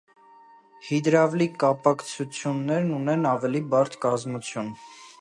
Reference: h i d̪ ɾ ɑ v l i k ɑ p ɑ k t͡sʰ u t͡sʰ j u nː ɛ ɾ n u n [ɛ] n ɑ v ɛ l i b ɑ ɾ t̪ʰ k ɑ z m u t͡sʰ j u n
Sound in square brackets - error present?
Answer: no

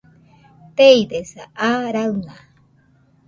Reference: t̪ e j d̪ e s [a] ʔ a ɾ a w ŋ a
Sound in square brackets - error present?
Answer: no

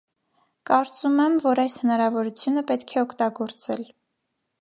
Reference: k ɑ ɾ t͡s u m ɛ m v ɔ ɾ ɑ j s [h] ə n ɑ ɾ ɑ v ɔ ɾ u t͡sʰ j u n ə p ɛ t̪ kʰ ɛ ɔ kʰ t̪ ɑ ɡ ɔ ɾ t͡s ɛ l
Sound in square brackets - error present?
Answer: no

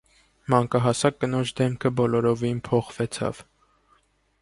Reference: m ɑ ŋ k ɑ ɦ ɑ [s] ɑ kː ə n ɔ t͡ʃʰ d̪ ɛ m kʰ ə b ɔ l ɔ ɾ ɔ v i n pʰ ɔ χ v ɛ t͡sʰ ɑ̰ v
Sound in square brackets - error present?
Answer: no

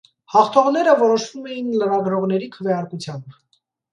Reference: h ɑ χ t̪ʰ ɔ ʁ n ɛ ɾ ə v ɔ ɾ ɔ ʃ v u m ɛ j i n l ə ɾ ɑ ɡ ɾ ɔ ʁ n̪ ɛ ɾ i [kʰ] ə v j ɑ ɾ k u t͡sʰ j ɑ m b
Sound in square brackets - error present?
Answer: no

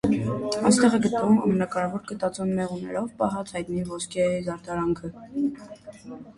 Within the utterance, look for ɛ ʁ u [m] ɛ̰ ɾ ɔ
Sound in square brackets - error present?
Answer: yes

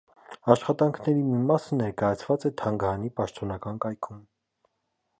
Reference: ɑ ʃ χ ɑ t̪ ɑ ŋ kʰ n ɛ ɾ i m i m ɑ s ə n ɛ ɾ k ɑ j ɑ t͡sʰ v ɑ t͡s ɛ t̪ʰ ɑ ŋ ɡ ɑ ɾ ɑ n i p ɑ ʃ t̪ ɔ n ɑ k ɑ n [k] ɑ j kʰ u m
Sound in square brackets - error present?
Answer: no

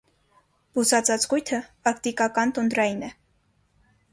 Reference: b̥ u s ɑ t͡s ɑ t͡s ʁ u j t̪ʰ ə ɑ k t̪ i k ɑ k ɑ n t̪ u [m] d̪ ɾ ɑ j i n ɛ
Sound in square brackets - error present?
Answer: yes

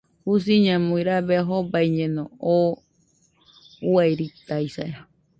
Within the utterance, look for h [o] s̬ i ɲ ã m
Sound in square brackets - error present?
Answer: yes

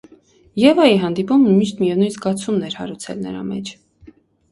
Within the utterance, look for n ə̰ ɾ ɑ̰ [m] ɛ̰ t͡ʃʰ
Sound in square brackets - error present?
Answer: no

